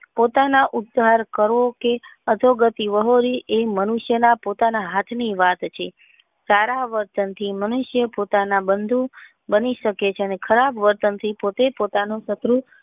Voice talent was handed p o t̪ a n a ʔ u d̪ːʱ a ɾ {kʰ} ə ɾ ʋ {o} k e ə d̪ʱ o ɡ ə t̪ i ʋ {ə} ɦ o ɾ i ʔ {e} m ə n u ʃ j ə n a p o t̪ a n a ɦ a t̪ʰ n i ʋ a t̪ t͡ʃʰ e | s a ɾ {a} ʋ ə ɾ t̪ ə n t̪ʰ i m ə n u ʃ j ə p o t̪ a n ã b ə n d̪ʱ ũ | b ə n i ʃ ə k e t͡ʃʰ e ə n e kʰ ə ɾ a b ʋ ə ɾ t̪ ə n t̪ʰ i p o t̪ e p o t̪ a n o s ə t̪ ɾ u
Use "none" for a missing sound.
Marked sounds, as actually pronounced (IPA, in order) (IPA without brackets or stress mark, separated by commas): k, o, ə, e, a